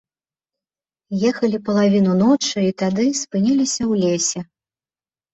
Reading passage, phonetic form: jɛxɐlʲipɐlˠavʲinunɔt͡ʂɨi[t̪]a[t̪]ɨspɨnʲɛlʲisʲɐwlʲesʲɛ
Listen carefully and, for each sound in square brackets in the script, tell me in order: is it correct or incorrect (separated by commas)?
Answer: correct, incorrect